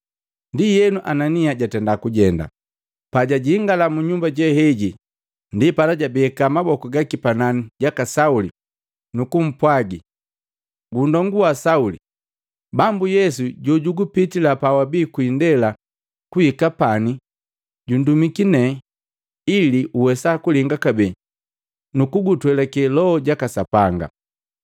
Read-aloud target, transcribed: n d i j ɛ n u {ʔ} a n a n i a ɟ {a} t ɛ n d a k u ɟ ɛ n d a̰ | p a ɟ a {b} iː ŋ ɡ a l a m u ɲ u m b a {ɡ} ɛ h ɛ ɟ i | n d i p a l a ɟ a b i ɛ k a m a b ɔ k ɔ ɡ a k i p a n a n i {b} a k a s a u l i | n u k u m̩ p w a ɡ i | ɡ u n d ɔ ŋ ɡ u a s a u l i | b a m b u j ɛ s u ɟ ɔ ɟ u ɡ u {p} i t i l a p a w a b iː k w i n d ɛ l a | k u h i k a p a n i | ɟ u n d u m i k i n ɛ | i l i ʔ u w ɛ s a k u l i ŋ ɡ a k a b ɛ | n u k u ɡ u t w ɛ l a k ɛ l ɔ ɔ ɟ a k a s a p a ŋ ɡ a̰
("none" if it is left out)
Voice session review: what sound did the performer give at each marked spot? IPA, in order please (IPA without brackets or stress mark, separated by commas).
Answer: ʔ, a, ɟ, ɟ, ɟ, p